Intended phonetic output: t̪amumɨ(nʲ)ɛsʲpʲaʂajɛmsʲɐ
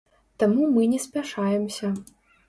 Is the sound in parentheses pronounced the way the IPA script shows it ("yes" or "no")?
yes